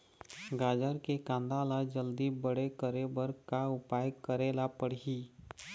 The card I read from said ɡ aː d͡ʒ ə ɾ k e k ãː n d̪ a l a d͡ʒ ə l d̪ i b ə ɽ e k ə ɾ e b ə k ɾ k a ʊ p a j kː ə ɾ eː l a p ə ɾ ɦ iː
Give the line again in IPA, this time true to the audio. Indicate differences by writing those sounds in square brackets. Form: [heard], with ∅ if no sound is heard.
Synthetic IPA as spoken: ɡ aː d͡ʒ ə ɾ k e k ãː n d̪ a l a d͡ʒ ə l d̪ i b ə ɽ e k ə ɾ e b ə [∅] ɾ k a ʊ p a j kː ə ɾ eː l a p ə [ɽ] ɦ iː

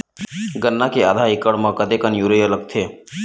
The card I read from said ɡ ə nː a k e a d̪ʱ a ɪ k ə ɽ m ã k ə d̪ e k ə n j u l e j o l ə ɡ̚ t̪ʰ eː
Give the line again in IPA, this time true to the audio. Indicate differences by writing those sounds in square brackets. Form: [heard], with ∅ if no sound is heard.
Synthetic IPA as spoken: ɡ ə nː a k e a d̪ʱ a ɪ k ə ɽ m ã k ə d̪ e k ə n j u [ɾ] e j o l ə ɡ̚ t̪ʰ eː

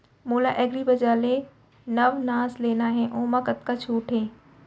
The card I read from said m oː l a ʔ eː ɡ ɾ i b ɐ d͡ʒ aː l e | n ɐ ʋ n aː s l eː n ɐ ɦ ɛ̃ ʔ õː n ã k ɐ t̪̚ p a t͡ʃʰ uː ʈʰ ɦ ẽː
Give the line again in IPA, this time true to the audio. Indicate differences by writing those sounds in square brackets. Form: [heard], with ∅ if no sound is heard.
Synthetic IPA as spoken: m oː l a ʔ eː ɡ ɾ i b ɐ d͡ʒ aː l e | n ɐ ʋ n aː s l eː n [a] ɦ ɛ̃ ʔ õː [m] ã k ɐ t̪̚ [k] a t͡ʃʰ uː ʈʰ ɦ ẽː

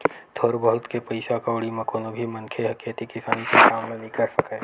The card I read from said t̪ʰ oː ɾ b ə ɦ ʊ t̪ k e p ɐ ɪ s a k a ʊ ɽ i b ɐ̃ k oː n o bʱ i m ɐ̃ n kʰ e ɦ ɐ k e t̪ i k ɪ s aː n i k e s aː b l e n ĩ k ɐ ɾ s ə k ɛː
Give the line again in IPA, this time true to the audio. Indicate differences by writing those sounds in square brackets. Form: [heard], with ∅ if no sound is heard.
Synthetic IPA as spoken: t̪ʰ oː ɾ b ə ɦ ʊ t̪ k e p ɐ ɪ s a k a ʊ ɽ i [m] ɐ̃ k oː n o bʱ i m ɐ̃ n kʰ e ɦ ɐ k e t̪ i k ɪ s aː n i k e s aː [m] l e n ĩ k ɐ ɾ s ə k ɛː

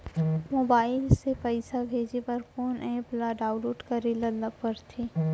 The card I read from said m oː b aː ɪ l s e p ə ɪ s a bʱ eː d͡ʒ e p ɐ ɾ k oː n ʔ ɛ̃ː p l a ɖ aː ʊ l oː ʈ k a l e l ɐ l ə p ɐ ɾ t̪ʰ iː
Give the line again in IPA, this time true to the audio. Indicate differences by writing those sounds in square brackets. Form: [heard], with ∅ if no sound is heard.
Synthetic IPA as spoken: m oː b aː ɪ l s e p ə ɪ s a bʱ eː d͡ʒ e p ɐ ɾ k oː n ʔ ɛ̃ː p l a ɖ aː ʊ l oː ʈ k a [ɾ] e l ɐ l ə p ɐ ɾ t̪ʰ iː

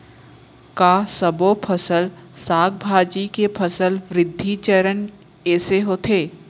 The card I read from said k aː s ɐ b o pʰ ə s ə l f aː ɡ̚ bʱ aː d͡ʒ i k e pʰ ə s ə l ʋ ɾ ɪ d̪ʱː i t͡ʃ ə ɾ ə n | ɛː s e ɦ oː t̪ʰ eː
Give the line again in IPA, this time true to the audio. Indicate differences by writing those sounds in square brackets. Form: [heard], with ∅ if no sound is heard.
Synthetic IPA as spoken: k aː s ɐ b o pʰ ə s ə l [s] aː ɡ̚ bʱ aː d͡ʒ i k e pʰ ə s ə l ʋ ɾ ɪ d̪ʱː i t͡ʃ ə ɾ ə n | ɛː s e ɦ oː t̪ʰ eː

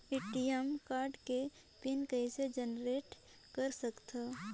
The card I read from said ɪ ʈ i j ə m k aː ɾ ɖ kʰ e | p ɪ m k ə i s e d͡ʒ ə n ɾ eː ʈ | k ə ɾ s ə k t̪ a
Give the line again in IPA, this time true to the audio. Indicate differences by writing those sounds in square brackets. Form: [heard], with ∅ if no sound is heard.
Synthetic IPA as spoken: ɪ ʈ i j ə m k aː ɾ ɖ [k] e | p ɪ [n] k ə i s e d͡ʒ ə n ɾ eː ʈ | k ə ɾ s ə k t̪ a

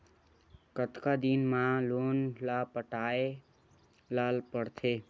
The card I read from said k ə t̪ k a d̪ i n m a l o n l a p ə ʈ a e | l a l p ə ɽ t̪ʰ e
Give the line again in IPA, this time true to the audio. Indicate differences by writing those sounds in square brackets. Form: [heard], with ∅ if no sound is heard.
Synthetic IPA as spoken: k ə t̪ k a d̪ i n m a l o n l a p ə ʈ a e | l a l p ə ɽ t̪ʰ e

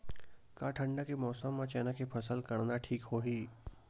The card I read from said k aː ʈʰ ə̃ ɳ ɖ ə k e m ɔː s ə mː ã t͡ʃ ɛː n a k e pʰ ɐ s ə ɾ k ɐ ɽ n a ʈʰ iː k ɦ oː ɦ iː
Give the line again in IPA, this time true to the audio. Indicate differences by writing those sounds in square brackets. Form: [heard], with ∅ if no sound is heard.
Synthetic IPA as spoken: k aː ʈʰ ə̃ ɳ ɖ [a] k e m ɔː s ə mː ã t͡ʃ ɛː n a k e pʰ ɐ s ə [l] k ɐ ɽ n a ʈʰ iː k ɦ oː ɦ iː

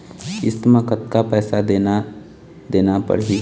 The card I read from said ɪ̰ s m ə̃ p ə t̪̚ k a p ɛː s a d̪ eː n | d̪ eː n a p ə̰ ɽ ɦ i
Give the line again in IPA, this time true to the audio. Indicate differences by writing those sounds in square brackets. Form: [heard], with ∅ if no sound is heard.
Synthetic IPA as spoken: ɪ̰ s m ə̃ [k] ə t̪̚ k a p ɛː s a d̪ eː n | d̪ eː n a p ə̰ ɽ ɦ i

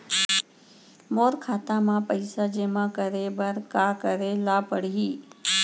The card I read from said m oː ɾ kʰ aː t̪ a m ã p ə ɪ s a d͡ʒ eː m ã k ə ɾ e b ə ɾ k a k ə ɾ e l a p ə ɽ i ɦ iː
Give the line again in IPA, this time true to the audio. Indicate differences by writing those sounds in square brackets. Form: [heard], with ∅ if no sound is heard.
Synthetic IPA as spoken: m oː ɾ kʰ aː t̪ a m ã p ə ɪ s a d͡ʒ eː m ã k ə ɾ e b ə ɾ k a k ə ɾ e l a p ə ɽ i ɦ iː

